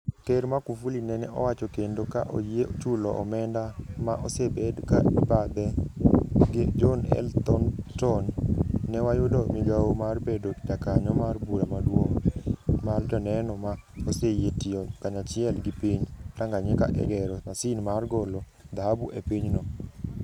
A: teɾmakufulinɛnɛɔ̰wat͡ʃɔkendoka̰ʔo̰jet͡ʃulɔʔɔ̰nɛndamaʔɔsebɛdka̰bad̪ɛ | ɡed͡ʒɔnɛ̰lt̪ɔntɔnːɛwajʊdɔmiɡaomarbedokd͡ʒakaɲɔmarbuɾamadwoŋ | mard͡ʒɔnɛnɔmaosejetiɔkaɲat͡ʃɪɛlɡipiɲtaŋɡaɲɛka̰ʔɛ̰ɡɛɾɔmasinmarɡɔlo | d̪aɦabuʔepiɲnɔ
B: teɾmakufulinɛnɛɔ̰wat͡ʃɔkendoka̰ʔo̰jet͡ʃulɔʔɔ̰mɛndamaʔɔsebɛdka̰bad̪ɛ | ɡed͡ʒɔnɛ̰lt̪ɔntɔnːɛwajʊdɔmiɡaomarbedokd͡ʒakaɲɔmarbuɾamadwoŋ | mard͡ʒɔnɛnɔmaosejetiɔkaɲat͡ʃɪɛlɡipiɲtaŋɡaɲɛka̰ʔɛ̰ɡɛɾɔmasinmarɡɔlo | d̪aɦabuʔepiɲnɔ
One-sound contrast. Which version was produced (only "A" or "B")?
B